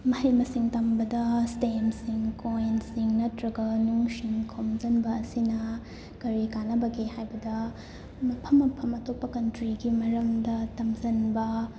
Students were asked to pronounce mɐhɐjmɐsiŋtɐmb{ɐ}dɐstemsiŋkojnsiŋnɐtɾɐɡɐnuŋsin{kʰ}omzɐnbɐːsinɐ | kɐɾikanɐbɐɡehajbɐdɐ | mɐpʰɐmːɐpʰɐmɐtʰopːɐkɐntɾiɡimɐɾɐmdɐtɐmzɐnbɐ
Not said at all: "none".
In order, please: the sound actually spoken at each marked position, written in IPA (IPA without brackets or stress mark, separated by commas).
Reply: ɐ, kʰ